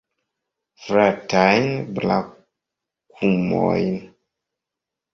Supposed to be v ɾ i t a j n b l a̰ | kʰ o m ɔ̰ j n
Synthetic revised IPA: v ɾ a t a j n b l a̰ | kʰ u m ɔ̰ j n